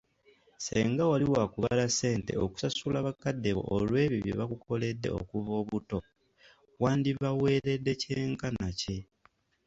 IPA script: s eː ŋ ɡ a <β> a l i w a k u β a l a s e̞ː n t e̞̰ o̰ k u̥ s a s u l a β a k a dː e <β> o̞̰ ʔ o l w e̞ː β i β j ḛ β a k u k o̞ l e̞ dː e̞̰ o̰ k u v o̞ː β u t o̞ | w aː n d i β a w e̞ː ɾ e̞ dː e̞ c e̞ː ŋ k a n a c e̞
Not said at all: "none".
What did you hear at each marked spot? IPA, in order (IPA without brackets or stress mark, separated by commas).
w, β